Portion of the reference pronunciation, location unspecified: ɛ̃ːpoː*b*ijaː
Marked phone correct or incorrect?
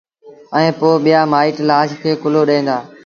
incorrect